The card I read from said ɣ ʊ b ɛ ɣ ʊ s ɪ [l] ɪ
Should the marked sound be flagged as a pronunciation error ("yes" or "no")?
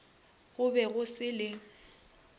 no